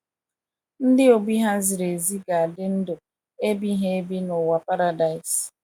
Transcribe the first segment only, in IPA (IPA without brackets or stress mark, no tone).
n̩